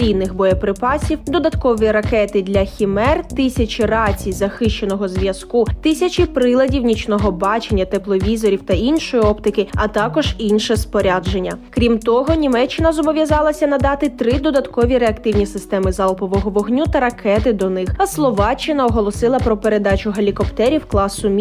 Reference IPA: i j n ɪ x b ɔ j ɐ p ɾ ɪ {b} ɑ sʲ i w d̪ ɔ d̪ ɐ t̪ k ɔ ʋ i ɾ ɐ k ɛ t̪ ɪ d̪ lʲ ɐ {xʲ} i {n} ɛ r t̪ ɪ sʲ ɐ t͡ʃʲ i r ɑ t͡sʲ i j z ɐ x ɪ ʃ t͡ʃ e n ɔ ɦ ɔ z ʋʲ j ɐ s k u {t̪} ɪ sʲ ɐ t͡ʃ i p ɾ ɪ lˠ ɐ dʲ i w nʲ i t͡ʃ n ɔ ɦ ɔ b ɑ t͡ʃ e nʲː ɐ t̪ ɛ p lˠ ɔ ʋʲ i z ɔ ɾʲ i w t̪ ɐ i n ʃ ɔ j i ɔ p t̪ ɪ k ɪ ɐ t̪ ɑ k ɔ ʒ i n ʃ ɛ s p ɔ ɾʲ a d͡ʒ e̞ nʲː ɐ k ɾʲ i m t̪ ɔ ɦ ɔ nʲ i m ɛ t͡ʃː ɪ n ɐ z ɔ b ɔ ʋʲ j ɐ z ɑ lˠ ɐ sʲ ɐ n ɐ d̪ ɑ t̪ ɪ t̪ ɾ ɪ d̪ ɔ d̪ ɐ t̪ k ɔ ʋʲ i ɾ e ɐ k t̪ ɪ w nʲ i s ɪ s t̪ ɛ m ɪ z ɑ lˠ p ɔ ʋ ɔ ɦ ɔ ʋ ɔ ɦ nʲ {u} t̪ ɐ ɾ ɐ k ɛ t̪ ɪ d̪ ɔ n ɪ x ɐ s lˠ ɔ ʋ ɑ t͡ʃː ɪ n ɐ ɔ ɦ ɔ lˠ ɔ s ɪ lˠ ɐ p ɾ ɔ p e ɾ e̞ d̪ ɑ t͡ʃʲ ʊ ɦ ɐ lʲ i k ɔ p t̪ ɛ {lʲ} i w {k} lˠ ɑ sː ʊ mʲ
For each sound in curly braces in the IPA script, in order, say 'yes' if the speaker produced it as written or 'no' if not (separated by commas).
no, yes, no, yes, yes, no, yes